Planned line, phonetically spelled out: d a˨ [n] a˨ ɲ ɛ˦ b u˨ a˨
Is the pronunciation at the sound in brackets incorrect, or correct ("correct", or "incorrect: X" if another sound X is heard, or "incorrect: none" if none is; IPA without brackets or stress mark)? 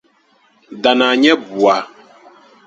correct